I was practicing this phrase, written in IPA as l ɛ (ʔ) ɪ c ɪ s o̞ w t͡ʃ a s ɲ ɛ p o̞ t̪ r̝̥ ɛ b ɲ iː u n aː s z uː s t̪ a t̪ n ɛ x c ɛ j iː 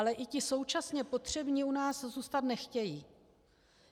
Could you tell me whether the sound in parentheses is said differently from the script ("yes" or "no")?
no